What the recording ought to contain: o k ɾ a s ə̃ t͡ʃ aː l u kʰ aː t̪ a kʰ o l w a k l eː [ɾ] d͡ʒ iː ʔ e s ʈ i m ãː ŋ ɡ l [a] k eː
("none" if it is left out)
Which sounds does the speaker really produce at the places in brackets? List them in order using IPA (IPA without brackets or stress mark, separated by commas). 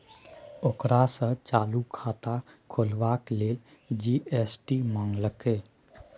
l, ə